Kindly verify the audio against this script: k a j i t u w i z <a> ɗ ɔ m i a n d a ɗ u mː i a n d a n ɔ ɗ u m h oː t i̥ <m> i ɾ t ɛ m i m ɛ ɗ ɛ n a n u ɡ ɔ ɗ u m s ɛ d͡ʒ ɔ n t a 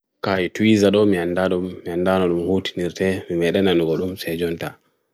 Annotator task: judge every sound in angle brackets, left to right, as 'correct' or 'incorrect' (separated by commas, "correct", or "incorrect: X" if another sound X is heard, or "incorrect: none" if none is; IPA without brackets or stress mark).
correct, incorrect: n